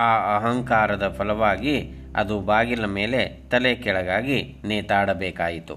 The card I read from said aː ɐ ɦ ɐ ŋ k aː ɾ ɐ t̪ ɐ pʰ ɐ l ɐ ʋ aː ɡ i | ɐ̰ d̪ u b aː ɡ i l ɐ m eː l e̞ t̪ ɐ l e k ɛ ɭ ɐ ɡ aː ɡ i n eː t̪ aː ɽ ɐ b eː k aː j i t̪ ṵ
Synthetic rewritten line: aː ɐ ɦ ɐ ŋ k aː ɾ ɐ d̪ ɐ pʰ ɐ l ɐ ʋ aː ɡ i | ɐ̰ d̪ u b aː ɡ i l ɐ m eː l e̞ t̪ ɐ l e k ɛ ɭ ɐ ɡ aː ɡ i n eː t̪ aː ɽ ɐ b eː k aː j i t̪ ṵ